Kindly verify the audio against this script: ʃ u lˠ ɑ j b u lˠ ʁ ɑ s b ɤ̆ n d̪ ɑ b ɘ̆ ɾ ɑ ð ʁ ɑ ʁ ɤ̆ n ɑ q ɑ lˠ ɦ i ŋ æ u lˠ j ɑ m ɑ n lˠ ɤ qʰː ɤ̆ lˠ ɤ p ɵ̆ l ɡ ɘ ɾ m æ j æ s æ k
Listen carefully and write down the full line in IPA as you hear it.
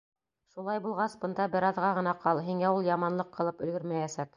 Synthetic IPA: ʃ u lˠ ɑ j b u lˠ ʁ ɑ s b ɤ̆ n d̪ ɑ b ɘ̆ ɾ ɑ ð ʁ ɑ ʁ ɤ̆ n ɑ q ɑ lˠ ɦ i ŋ æ u lˠ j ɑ m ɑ n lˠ ɤ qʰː ɤ̆ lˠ ɤ p ɵ̆ l ɡ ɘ ɾ m æ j æ s æ k